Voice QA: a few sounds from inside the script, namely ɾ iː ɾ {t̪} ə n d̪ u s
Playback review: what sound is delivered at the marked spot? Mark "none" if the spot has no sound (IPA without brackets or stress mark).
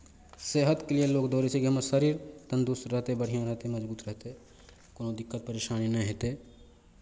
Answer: t̪